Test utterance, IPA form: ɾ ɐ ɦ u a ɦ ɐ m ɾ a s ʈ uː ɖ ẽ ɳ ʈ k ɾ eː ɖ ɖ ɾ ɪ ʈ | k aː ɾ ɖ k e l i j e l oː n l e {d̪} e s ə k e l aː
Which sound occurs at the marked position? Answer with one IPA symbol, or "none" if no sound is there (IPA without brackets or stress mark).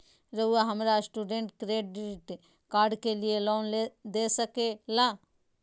d̪